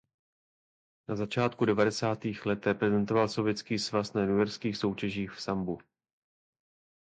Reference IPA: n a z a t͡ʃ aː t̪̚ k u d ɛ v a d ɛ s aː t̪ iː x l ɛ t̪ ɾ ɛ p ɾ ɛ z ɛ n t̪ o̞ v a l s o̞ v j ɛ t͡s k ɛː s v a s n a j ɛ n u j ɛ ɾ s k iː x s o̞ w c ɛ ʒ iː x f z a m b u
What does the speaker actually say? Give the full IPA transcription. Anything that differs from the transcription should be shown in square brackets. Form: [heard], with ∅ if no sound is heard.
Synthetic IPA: n a z a t͡ʃ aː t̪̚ k u d ɛ v a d ɛ s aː t̪ iː x l ɛ t̪ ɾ ɛ p ɾ ɛ z ɛ n t̪ o̞ v a l s o̞ v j ɛ t͡s k [iː] s v a s n a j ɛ n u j ɛ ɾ s k iː x s o̞ w c ɛ ʒ iː x f [s] a m b u

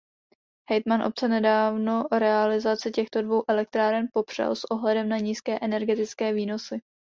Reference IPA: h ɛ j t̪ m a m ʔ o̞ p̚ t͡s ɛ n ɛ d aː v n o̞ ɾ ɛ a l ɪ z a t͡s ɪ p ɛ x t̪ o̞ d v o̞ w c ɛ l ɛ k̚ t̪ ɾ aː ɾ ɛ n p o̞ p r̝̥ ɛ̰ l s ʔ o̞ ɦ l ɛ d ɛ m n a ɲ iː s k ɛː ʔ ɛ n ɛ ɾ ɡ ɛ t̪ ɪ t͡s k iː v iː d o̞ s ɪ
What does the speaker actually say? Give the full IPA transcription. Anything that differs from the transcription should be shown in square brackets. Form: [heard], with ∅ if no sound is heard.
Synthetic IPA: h ɛ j t̪ m a [n] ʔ o̞ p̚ t͡s ɛ n ɛ d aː v n o̞ ɾ ɛ a l ɪ z a t͡s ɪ [c] ɛ x t̪ o̞ d v o̞ w [ʔ] ɛ l ɛ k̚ t̪ ɾ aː ɾ ɛ n p o̞ p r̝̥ ɛ̰ l s ʔ o̞ ɦ l ɛ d ɛ m n a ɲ iː s k ɛː ʔ ɛ n ɛ ɾ ɡ ɛ t̪ ɪ t͡s k [ɛː] v iː [n] o̞ s ɪ

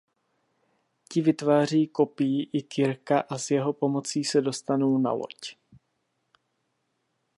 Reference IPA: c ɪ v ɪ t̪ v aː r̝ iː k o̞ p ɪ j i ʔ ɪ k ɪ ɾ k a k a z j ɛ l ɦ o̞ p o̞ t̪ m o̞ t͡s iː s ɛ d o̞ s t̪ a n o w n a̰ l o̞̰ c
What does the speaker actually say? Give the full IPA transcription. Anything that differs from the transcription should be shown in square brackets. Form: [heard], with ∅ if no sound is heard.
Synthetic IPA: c ɪ v ɪ t̪ v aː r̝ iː k o̞ p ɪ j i ʔ ɪ k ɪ ɾ k a [ʔ] a z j ɛ [∅] ɦ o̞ p o̞ [∅] m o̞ t͡s iː s ɛ d o̞ s t̪ a n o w n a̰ l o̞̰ c

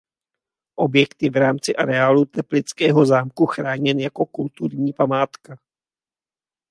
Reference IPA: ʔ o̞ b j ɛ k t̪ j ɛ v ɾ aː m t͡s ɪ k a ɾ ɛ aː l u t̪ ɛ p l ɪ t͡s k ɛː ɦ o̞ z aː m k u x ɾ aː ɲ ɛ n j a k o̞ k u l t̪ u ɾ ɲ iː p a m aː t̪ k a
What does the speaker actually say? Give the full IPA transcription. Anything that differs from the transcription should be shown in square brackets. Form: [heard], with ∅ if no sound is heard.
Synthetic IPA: ʔ o̞ b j ɛ k t̪ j ɛ v ɾ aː m t͡s ɪ [ʔ] a ɾ ɛ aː l u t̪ ɛ p l ɪ t͡s k ɛː ɦ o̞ z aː m k u x ɾ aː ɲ ɛ n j a k o̞ k u l t̪ u ɾ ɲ iː p a m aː t̪ k a

